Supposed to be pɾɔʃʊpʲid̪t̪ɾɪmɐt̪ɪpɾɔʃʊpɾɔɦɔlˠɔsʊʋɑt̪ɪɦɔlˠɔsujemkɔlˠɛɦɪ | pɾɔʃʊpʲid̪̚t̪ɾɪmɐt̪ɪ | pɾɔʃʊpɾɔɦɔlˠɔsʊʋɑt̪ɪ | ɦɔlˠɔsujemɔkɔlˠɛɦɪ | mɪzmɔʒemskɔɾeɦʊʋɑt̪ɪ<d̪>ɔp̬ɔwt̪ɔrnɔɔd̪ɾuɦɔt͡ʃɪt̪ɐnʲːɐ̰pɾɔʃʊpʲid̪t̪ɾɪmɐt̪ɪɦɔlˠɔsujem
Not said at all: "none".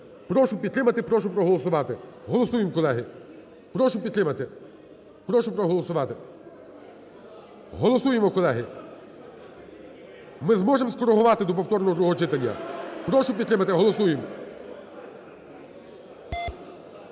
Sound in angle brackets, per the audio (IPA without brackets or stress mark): d̪